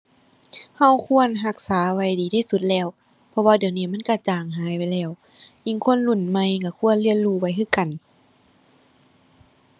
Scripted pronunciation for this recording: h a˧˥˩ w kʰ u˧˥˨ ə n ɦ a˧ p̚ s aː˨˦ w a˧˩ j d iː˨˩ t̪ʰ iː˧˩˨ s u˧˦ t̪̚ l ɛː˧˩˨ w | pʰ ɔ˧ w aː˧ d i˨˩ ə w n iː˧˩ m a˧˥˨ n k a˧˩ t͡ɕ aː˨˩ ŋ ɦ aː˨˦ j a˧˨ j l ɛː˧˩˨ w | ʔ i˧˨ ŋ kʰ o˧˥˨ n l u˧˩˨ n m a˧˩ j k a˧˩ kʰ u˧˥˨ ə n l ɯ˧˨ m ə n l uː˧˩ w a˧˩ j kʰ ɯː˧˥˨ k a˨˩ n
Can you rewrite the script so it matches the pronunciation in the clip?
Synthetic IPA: h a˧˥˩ w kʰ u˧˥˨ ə n ɦ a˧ k̚ s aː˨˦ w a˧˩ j d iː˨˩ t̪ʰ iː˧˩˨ s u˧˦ t̪̚ l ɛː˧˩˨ w | pʰ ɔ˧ w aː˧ d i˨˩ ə w n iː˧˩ m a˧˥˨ n k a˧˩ t͡ɕ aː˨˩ ŋ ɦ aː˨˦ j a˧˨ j l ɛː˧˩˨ w | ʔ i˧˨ ŋ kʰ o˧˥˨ n l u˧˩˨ n m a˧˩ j k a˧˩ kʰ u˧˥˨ ə n l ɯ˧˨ ə n l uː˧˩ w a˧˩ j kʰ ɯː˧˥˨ k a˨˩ n